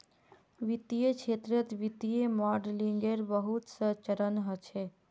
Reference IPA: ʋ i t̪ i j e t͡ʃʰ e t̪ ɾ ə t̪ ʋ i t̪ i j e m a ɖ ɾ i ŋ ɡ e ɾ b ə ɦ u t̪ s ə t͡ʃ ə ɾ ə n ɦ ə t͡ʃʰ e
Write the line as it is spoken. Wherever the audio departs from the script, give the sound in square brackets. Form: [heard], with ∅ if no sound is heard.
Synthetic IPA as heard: ʋ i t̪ i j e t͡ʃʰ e t̪ ɾ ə t̪ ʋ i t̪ i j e m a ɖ [l] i ŋ ɡ e ɾ b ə ɦ u t̪ s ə t͡ʃ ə ɾ ə n ɦ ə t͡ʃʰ e